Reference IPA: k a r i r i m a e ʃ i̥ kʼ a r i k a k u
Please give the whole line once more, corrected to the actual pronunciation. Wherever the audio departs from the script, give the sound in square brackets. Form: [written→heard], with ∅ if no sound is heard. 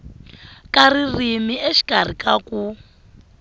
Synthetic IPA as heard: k a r i r i m [a→i] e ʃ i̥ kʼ a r i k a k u